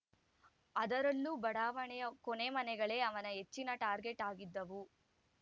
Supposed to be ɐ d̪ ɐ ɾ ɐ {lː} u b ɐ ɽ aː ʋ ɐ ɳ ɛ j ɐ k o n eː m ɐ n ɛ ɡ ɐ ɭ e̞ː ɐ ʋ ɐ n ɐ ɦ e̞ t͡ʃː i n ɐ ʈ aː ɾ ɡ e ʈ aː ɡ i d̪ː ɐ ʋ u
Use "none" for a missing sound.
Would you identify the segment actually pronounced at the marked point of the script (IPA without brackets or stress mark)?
lː